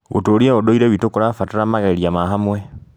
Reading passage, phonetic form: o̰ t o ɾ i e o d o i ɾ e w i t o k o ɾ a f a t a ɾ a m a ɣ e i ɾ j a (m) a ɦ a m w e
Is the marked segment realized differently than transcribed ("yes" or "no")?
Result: no